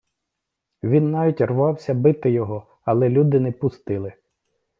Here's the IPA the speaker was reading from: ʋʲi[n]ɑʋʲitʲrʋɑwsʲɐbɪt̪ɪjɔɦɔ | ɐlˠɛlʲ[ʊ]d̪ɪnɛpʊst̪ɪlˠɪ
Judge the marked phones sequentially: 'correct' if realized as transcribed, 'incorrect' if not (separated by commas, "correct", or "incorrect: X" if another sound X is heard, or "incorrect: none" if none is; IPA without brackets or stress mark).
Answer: incorrect: nː, incorrect: u